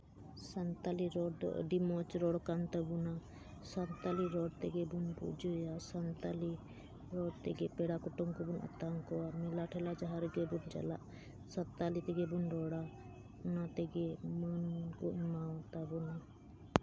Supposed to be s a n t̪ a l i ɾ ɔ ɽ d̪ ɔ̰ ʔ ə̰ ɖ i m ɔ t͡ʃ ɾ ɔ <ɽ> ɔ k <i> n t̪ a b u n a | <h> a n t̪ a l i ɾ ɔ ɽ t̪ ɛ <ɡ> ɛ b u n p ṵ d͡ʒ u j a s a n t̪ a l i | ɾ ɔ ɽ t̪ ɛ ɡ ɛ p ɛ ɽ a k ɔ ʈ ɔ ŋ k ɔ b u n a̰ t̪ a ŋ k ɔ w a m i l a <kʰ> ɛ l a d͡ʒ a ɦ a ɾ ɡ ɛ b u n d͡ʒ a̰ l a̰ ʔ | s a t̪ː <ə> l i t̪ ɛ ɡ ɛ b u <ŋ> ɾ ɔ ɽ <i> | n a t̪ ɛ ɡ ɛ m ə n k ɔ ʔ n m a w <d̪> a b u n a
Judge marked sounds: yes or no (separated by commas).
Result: yes, no, no, yes, no, no, no, no, no